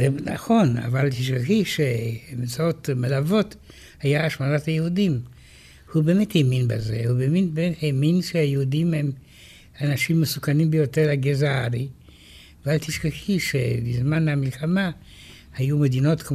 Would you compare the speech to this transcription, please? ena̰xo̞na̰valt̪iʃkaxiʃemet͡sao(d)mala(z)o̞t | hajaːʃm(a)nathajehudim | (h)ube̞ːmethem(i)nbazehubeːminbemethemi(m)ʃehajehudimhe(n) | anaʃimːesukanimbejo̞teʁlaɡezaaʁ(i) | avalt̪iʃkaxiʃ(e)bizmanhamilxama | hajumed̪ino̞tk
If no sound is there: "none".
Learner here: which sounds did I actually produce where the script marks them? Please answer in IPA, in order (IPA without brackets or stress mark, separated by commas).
t, v, a, h, i, n, m, i, e